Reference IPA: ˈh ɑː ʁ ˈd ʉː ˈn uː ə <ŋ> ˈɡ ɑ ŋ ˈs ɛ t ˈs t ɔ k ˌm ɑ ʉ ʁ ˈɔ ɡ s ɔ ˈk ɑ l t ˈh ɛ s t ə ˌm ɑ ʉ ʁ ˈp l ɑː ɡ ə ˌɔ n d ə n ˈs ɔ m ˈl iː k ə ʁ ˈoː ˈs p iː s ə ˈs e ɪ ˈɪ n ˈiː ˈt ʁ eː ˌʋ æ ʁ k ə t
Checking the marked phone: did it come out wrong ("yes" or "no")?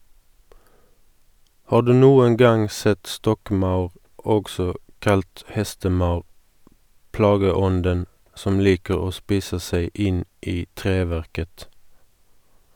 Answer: no